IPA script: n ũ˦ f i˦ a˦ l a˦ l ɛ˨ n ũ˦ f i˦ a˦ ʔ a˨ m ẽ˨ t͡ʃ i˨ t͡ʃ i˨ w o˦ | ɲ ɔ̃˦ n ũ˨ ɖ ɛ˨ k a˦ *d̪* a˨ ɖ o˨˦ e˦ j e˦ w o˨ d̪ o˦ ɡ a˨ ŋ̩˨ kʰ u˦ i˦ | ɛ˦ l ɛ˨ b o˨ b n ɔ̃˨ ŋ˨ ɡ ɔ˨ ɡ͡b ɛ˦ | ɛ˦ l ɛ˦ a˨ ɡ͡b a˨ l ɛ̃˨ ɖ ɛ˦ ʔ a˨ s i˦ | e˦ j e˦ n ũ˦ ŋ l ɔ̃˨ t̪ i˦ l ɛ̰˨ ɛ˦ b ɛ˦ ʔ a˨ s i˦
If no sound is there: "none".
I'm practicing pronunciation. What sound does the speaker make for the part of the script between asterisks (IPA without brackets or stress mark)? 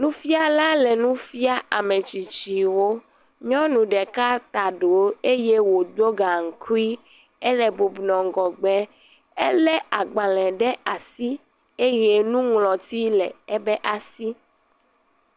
t̪